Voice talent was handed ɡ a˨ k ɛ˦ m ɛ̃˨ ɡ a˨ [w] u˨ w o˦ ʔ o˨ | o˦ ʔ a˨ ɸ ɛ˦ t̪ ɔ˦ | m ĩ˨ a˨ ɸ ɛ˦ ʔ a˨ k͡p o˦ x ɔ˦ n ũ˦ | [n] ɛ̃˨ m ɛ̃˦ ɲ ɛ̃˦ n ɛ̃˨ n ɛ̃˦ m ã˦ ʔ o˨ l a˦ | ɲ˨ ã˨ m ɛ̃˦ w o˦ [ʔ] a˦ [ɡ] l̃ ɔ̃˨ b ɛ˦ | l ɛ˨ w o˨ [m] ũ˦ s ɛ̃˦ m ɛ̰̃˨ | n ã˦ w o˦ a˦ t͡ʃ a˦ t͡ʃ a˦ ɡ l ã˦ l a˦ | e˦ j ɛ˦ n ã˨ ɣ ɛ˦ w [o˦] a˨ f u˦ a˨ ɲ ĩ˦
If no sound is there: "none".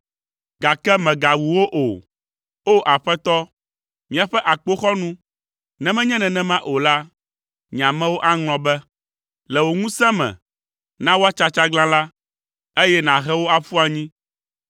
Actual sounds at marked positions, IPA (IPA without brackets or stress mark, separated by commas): w, n, ʔ, ŋ, ŋ, o˦